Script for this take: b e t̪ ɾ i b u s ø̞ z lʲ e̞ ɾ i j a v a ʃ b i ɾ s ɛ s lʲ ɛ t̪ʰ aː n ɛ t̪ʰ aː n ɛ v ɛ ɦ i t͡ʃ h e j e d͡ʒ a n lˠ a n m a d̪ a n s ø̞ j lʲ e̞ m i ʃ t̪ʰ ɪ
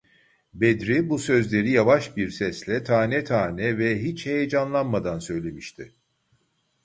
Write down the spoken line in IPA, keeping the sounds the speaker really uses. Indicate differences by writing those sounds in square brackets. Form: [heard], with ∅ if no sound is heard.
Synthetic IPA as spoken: b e [d̪] ɾ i b u s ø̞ z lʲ e̞ ɾ i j a v a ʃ b i ɾ s ɛ s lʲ ɛ t̪ʰ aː n ɛ t̪ʰ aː n ɛ v ɛ ɦ i t͡ʃ h e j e d͡ʒ a n lˠ a n m a d̪ a n s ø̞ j lʲ e̞ m i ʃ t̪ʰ ɪ